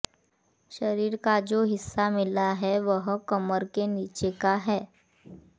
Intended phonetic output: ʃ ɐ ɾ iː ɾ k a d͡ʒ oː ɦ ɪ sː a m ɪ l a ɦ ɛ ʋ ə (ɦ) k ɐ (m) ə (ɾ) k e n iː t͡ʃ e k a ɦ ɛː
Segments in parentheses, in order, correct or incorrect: correct, correct, correct

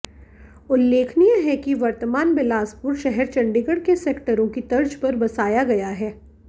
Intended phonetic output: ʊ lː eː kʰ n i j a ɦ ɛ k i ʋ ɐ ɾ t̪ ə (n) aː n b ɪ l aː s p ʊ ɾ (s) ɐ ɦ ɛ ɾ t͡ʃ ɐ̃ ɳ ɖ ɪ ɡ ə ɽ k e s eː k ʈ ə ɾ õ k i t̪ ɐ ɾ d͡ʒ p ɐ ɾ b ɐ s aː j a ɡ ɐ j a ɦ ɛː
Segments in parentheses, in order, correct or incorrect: incorrect: m, incorrect: ʃ

